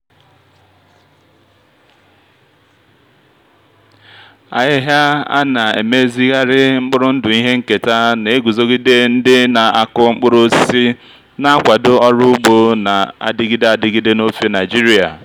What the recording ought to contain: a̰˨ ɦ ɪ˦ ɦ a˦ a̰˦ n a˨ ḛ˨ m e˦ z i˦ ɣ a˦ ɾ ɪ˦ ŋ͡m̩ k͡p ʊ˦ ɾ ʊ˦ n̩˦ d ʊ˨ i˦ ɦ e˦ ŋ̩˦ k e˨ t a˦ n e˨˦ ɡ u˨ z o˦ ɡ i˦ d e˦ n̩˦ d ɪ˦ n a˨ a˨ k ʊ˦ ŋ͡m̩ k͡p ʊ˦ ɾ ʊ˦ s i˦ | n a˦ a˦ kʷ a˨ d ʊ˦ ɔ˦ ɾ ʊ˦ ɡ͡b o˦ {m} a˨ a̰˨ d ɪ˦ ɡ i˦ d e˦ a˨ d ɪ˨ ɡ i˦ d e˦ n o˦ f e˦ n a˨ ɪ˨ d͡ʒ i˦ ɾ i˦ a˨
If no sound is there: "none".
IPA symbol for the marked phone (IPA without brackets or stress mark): n